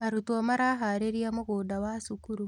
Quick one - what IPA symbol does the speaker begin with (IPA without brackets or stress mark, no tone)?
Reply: a